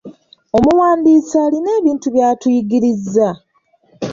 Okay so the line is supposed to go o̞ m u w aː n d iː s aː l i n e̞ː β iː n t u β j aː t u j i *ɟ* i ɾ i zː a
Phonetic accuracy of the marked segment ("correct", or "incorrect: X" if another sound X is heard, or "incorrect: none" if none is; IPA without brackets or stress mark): incorrect: ɡ